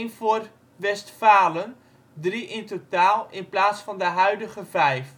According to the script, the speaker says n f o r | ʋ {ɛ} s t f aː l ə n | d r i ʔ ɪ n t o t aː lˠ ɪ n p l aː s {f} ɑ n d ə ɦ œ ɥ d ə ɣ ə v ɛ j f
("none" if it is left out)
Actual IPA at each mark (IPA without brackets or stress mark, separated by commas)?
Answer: ɛ, f